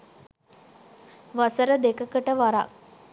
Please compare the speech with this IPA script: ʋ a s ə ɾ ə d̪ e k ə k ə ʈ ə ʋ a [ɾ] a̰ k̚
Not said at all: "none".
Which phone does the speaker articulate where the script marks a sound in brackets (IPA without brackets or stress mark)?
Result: ɾ